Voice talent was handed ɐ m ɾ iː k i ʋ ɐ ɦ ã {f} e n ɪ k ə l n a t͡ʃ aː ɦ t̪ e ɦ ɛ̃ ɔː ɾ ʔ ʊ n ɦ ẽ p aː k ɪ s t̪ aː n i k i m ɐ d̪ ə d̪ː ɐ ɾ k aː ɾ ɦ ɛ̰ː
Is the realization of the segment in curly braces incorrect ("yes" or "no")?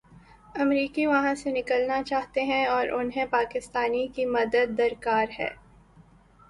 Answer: yes